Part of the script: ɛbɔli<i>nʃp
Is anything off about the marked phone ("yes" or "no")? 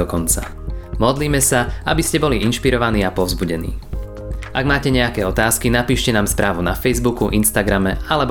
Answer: no